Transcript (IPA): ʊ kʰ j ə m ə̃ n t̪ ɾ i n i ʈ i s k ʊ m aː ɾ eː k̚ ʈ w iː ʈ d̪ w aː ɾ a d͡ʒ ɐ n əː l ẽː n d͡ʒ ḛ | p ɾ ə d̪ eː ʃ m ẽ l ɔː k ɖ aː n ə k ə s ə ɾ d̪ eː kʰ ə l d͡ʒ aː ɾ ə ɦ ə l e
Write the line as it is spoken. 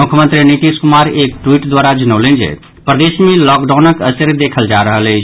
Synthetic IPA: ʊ kʰ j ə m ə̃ n t̪ ɾ i n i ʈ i s k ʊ m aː ɾ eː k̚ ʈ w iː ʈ d̪ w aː ɾ a d͡ʒ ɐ n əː l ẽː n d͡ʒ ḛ | p ɾ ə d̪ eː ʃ m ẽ l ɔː k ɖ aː n ə k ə s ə ɾ d̪ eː kʰ ə l d͡ʒ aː ɾ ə ɦ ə l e

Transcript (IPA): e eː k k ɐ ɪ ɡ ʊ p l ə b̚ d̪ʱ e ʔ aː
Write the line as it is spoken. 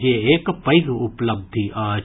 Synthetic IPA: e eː k p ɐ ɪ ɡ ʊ p l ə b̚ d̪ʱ i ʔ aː

